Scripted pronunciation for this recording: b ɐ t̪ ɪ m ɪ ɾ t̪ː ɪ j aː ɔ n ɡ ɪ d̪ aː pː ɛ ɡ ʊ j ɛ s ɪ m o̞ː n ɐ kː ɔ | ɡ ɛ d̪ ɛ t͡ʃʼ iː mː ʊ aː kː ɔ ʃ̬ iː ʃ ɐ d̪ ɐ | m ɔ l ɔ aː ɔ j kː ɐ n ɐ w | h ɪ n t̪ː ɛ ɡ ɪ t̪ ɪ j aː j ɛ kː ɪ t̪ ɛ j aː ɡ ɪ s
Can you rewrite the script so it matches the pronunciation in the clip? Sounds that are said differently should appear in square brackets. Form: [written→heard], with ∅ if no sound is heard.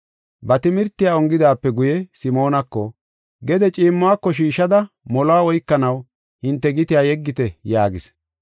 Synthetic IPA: b ɐ t̪ ɪ m ɪ ɾ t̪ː ɪ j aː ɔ [n→ŋ] ɡ ɪ d̪ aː pː ɛ ɡ ʊ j ɛ s ɪ m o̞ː n ɐ kː ɔ | ɡ ɛ d̪ ɛ t͡ʃʼ iː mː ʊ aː kː ɔ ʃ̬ iː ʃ ɐ d̪ ɐ | m ɔ l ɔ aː ɔ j kː ɐ n ɐ w | h ɪ n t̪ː ɛ ɡ ɪ t̪ ɪ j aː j ɛ [kː→ɡː] ɪ t̪ ɛ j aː ɡ ɪ s